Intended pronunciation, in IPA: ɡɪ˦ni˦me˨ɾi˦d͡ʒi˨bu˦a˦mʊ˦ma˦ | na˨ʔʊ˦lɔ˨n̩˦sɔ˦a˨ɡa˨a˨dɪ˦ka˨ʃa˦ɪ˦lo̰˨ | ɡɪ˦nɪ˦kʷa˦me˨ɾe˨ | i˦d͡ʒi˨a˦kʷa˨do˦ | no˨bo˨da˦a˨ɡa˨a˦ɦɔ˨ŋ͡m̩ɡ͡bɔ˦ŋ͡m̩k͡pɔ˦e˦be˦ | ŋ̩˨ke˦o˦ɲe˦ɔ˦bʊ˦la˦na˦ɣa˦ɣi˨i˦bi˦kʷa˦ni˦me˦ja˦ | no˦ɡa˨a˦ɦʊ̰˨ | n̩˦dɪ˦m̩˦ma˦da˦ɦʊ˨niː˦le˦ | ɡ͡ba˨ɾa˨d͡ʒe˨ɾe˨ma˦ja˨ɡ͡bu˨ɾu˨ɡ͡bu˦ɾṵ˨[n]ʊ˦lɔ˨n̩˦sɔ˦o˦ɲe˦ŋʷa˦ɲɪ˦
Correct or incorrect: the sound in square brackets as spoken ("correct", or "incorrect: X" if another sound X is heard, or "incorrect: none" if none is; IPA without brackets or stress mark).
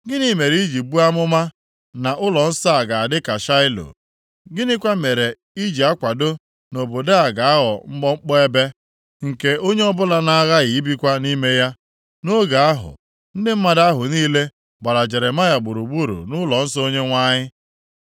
correct